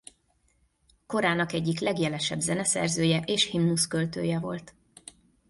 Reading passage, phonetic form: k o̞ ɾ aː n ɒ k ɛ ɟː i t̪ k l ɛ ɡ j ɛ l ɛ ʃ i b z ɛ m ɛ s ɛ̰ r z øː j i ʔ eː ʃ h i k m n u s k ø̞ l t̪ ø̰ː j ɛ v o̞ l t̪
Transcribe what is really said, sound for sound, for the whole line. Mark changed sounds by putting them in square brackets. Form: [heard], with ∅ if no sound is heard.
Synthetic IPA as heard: k o̞ ɾ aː n ɒ k ɛ ɟː i [∅] k l ɛ ɡ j ɛ l ɛ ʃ [ɛ] b z ɛ [n] ɛ s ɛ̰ r z øː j [ɛ] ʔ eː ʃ h i [∅] m n u s k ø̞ l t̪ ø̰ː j ɛ v o̞ l t̪